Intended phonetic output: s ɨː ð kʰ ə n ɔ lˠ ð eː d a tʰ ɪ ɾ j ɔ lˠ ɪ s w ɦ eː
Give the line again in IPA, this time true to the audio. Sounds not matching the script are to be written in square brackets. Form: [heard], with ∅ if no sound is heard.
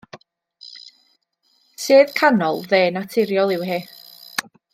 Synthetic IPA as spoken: s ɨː ð kʰ [a] n ɔ lˠ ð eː [n] a tʰ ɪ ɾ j ɔ lˠ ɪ [∅] w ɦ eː